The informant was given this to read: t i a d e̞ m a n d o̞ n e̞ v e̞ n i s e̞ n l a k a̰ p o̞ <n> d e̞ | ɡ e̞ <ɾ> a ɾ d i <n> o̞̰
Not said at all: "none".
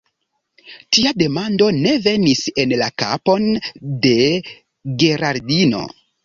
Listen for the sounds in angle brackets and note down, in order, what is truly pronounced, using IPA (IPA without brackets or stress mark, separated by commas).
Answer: n, ɾ, n